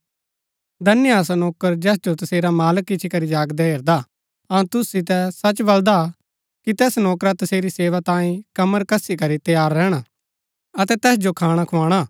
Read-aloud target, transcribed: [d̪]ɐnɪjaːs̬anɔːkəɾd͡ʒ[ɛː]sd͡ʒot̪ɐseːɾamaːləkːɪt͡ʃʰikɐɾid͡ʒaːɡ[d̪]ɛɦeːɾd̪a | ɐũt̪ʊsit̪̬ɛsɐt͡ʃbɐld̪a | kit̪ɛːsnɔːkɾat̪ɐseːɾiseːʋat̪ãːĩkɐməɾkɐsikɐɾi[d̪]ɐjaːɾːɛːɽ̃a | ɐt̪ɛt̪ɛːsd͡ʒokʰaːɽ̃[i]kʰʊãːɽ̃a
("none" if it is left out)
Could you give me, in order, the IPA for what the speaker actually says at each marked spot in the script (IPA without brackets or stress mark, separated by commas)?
d̪, ɛː, d̪, t̪, a